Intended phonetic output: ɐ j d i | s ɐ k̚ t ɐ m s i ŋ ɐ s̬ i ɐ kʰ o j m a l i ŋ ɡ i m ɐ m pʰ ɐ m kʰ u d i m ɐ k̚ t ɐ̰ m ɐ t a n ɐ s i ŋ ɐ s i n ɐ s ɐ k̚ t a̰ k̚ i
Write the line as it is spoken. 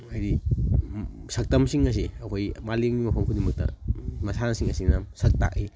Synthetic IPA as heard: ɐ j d i | s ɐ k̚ t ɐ m s i ŋ ɐ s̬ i ɐ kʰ o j m a l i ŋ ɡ i m ɐ pʰ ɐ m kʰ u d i m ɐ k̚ t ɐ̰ m ɐ s a n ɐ s i ŋ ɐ s i n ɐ s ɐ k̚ t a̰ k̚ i

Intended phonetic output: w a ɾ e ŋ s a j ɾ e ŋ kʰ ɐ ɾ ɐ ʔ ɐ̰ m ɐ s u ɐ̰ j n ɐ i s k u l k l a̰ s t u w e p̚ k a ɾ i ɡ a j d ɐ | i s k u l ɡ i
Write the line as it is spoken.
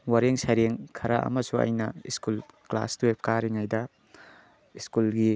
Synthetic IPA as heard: w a ɾ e ŋ s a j ɾ e ŋ kʰ ɐ ɾ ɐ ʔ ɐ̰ m ɐ s u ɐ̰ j n ɐ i s k u l k l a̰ s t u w e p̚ k a ɾ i ŋ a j d ɐ | i s k u l ɡ i

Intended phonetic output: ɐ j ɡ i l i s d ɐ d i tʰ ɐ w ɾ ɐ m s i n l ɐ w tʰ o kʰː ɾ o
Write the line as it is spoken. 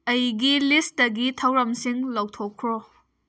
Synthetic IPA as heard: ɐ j ɡ i l i s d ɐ ɡ i tʰ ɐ w ɾ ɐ m s i ŋ l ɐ w tʰ o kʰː ɾ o

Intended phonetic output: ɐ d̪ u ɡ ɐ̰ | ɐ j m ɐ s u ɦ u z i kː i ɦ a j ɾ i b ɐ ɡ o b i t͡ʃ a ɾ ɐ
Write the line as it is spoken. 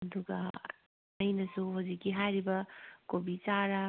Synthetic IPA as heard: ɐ d̪ u ɡ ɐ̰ | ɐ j n ɐ s u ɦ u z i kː i ɦ a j ɾ i b ɐ k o b i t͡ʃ a ɾ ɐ

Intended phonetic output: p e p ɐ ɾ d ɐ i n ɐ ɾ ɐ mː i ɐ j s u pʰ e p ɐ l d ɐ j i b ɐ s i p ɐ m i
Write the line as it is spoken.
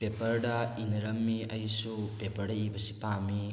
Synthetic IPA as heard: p e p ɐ ɾ d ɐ i n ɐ ɾ ɐ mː i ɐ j s u p e p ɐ ɾ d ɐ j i b ɐ s i p a m i

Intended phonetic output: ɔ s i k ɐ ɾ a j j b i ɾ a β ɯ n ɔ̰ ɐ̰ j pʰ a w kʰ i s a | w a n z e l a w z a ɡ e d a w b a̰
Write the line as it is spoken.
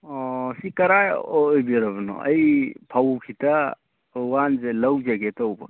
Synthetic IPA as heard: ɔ s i k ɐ ɾ a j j b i ɾ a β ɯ n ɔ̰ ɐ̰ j pʰ a w kʰ i t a | w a n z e l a w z a ɡ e t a w b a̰

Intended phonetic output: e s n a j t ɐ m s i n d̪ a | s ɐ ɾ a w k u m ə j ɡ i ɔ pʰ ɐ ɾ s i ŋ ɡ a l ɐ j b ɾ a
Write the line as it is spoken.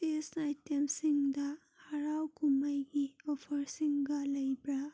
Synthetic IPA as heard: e s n a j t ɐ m s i ŋ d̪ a | h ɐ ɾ a w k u m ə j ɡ i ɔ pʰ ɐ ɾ s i ŋ ɡ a l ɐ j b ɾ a

